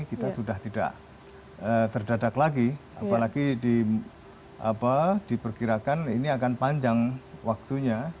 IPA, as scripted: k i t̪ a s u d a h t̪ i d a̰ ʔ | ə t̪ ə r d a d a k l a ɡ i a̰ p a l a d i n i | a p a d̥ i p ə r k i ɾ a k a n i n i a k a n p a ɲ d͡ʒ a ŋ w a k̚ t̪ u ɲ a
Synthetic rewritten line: k i t̪ a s u d a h t̪ i d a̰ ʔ | ə t̪ ə r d a d a k l a ɡ i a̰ p a l a ɡ i d i | a p a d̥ i p ə r k i ɾ a k a n i n i a k a n p a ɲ d͡ʒ a ŋ w a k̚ t̪ u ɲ a

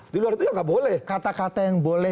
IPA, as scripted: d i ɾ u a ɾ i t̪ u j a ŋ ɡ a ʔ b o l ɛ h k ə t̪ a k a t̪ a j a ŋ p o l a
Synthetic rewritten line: d i l u a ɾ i t̪ u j a ŋ ɡ a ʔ b o l ɛ h k a t̪ a k a t̪ a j a ŋ b o l ɛ

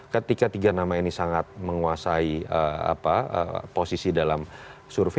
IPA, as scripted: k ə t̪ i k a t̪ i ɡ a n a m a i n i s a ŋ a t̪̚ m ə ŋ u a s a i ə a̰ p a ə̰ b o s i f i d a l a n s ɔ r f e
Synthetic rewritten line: k ə t̪ i k a t̪ i ɡ a n a m a i n i s a ŋ a t̪̚ m ə ŋ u a s a i ə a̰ p a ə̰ p o s i s i d a l a m s u r f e

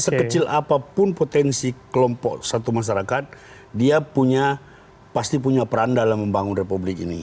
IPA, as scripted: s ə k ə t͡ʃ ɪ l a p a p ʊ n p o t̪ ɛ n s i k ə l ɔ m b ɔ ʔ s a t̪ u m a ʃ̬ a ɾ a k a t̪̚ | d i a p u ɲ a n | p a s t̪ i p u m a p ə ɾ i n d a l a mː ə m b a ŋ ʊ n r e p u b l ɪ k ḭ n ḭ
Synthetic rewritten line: s ə k ə t͡ʃ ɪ l a p a p ʊ n p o t̪ ɛ n s i k ə l ɔ m p ɔ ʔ s a t̪ u m a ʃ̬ a ɾ a k a t̪̚ | d i a p u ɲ a | p a s t̪ i p u ɲ a p ə ɾ a n d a l a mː ə m b a ŋ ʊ n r e p u b l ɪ k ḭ n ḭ

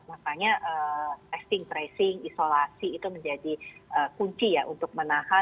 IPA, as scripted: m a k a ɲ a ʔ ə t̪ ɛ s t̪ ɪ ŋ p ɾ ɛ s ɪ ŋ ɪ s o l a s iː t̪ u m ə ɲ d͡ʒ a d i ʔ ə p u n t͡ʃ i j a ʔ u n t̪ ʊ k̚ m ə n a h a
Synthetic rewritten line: m a k a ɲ a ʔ ə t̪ ɛ s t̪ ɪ ŋ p ɾ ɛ s ɪ ŋ i s o l a s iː t̪ u m ə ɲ d͡ʒ a d i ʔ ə k u ɲ t͡ʃ i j a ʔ u n t̪ ʊ k̚ m ə n a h a

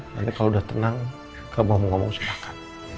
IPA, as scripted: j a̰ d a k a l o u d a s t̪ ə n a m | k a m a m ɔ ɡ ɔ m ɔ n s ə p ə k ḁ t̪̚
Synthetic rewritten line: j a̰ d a k a l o u d a h t̪ ə n a ŋ | k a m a m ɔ ŋ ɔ m ɔ ŋ s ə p a k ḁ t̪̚

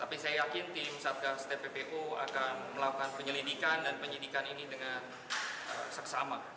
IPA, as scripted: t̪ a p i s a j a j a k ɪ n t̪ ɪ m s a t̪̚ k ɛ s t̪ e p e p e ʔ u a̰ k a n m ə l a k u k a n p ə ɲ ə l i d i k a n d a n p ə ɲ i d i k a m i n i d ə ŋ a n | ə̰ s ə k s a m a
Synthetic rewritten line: t̪ a p i s a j a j a k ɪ n t̪ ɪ m s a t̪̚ k a s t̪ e p e p e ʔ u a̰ k a n m ə l a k u k a n p ə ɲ ə l i d i k a n d a n p ə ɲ i d i k a n i n i d ə ŋ a n | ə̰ s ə k s a m a

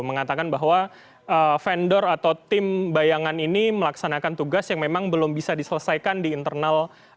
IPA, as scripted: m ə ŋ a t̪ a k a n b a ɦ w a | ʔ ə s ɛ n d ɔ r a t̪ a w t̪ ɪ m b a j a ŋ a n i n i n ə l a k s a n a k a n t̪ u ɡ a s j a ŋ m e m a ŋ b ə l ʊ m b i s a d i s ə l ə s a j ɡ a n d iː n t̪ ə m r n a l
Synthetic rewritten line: m ə ŋ a t̪ a k a n b a ɦ w a | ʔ ə f ɛ n d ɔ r a t̪ a w t̪ ɪ m b a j a ŋ a n i n i m ə l a k s a n a k a n t̪ u ɡ a s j a ŋ m e m a ŋ b ə l ʊ m b i s a d i s ə l ə s a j k a n d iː n t̪ ə r n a l

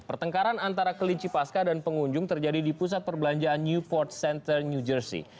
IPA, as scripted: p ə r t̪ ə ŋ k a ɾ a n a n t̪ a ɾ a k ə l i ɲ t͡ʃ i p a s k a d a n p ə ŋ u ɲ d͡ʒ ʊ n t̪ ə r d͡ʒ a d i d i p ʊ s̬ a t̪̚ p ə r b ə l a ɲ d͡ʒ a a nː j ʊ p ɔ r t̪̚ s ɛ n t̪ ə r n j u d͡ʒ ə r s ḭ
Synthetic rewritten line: p ə r t̪ ə ŋ k a ɾ a n a n t̪ a ɾ a k ə l i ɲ t͡ʃ i p a s k a d a n p ə ŋ u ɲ d͡ʒ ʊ ŋ t̪ ə r d͡ʒ a d i d i p u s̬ a t̪̚ p ə r b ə l a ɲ d͡ʒ a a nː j u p ɔ r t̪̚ s ɛ n t̪ ə r n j u d͡ʒ ə r s ḭ

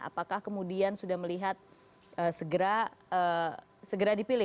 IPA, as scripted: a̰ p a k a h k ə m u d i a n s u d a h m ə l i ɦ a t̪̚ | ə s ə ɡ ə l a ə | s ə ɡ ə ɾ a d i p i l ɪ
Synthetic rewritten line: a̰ p a k a h k ə m u d i a n s u d a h m ə l i ɦ a t̪̚ | ə s ə ɡ ə ɾ a ə | s ə ɡ ə ɾ a d i p i l ɪ

